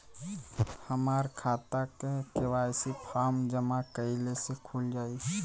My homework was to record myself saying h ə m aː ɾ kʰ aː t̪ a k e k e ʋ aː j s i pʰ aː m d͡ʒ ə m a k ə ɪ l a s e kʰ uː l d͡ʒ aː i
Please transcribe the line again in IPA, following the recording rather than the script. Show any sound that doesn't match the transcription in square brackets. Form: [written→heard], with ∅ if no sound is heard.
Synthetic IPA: h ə m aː ɾ kʰ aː t̪ a k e k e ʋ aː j s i pʰ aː m d͡ʒ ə m a k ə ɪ l [a→e] s e kʰ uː l d͡ʒ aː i

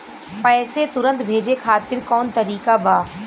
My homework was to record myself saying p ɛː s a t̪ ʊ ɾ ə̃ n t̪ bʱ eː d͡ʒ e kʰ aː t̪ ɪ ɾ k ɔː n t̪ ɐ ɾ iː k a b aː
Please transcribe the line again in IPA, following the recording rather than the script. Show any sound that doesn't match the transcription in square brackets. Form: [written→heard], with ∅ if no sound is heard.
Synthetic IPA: p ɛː s [a→e] t̪ ʊ ɾ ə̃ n t̪ bʱ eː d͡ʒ e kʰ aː t̪ ɪ ɾ k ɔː n t̪ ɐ ɾ iː k a b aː

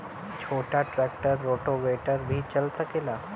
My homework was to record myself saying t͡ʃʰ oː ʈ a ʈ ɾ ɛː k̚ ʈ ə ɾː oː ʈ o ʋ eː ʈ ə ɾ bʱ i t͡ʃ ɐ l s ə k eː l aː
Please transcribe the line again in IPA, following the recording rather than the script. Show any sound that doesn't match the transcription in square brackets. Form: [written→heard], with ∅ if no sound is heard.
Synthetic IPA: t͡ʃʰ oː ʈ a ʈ ɾ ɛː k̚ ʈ ə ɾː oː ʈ o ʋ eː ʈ ə ɾ bʱ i t͡ʃ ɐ l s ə k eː l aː

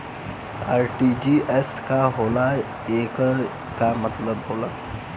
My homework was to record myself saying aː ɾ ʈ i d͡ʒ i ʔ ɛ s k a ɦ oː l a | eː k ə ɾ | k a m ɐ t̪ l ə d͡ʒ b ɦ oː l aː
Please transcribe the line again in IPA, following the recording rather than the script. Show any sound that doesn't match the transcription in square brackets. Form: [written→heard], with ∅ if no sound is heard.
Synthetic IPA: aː ɾ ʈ i d͡ʒ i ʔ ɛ s k a ɦ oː l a | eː k ə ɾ | k a m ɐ t̪ l ə [d͡ʒ→∅] b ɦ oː l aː

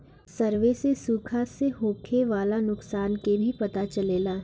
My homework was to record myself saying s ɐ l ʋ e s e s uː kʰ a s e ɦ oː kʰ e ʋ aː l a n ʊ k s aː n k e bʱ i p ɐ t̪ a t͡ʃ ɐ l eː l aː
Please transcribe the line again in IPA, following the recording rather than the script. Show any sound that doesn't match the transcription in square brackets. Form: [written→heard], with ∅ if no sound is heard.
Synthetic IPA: s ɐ [l→ɾ] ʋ e s e s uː kʰ a s e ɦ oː kʰ e ʋ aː l a n ʊ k s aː n k e bʱ i p ɐ t̪ a t͡ʃ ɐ l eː l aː

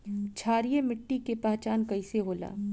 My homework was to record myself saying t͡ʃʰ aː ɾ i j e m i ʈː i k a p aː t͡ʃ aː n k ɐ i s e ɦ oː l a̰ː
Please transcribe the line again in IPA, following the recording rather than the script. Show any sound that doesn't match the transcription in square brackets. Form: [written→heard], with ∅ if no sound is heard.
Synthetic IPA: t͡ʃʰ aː ɾ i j e m [i→ɪ] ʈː i k [a→e] p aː t͡ʃ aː n k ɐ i s e ɦ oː l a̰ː

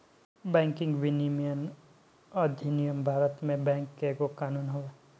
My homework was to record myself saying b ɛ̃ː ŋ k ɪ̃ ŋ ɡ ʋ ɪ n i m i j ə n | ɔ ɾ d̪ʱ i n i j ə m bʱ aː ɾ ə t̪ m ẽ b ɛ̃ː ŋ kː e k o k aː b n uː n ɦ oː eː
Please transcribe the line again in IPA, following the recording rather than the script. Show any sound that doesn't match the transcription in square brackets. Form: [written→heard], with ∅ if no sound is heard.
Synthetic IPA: b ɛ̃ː ŋ k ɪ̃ ŋ ɡ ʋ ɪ n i m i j ə n | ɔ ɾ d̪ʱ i n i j ə m bʱ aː ɾ ə t̪ m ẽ b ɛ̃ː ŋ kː e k o k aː [b→∅] n uː n ɦ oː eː

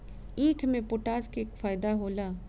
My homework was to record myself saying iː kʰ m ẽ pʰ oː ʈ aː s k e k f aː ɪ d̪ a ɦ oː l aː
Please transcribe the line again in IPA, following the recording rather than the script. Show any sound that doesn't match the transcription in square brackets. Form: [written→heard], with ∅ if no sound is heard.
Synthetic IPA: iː kʰ m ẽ [pʰ→p] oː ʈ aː s k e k f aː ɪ d̪ a ɦ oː l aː

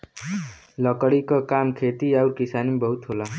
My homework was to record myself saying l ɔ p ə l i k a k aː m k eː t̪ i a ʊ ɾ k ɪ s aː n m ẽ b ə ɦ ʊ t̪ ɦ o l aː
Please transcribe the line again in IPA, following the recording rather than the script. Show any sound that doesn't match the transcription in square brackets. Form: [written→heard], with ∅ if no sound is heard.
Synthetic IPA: l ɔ [p→k] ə [l→ɽ] i k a k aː m [k→kʰ] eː t̪ i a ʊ ɾ k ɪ s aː n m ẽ b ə ɦ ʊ t̪ ɦ o l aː

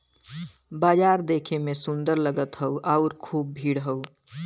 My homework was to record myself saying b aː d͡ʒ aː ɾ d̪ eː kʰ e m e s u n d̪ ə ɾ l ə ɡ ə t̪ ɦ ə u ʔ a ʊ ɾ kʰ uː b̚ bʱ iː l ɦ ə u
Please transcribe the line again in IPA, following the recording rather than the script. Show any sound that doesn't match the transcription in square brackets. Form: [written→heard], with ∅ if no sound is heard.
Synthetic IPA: b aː d͡ʒ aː ɾ d̪ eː kʰ e m e s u n d̪ ə ɾ l ə ɡ ə t̪ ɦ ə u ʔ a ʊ ɾ kʰ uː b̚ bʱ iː [l→ɽ] ɦ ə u

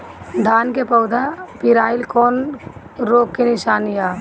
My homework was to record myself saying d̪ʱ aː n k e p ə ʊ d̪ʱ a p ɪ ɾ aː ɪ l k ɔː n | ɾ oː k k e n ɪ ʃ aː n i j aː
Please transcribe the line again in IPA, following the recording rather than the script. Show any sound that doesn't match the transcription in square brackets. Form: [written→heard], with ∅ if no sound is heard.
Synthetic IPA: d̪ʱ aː n k e p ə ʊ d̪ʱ a p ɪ ɾ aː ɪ l k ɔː n | ɾ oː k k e n ɪ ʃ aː n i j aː

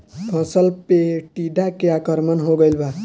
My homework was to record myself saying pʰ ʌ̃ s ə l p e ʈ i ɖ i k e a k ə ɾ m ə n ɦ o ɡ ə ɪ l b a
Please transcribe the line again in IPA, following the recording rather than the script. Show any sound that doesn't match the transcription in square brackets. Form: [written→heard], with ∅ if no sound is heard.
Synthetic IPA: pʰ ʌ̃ s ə l p e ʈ i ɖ [i→a] k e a k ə ɾ m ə n ɦ o ɡ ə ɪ l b a

